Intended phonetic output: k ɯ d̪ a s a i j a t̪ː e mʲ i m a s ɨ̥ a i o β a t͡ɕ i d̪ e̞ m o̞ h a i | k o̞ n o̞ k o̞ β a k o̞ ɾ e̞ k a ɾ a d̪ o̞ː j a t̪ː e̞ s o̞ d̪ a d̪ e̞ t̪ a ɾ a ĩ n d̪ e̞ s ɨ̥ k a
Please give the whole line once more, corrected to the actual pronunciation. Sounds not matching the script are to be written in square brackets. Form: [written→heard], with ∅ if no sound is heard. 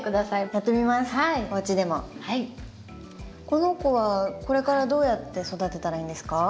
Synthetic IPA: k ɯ d̪ a s a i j a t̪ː e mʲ i m a s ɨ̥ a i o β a t͡ɕ i d̪ e̞ m o̞ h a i | k o̞ n o̞ k o̞ β a k o̞ ɾ e̞ k a ɾ a d̪ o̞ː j a t̪ː e̞ s o̞ d̪ a [d̪→t̪] e̞ t̪ a ɾ a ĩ n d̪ e̞ s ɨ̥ k a